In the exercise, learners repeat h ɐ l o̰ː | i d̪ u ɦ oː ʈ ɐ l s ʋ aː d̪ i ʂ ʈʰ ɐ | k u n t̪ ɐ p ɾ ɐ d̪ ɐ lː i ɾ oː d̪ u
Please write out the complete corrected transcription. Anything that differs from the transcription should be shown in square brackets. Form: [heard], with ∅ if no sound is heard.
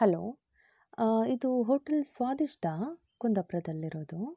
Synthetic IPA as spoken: h ɐ l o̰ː | i d̪ u ɦ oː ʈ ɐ l s ʋ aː d̪ i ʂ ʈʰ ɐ | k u n [d̪] ɐ p ɾ ɐ d̪ ɐ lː i ɾ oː d̪ u